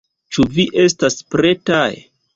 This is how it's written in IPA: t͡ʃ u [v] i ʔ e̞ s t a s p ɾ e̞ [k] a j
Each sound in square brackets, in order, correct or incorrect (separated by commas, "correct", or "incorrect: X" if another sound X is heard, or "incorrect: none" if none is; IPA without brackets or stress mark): correct, incorrect: t